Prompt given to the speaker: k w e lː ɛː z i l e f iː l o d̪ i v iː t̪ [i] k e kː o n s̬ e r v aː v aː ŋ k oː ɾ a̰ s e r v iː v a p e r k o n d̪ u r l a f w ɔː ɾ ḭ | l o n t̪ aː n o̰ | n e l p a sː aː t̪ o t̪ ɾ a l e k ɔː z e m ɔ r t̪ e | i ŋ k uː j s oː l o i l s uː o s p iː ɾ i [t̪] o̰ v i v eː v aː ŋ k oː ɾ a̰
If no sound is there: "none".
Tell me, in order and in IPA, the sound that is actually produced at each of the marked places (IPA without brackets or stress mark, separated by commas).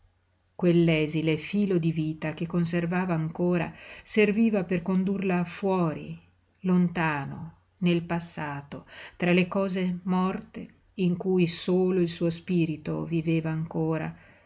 a, t̪